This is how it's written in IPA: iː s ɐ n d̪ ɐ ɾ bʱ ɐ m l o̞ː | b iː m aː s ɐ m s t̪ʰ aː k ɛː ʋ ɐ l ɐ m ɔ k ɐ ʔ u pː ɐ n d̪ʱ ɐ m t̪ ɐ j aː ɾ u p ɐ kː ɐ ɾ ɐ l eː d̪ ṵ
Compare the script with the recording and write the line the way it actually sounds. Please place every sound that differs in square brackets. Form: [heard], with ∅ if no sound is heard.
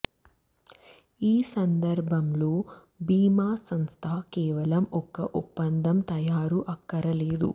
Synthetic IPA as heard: iː s ɐ n d̪ ɐ ɾ bʱ ɐ m l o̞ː | b iː m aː s ɐ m s t̪ʰ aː k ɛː ʋ ɐ l ɐ m ɔ k ɐ ʔ u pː ɐ n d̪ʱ ɐ m t̪ ɐ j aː ɾ u [ʔ] ɐ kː ɐ ɾ ɐ l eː d̪ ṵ